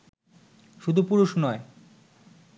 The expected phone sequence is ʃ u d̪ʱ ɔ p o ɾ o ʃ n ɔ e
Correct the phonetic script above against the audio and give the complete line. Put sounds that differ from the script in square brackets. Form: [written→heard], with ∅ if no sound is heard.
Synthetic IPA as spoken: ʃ u d̪ʱ [ɔ→u] p [o→u] ɾ [o→u] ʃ n ɔ e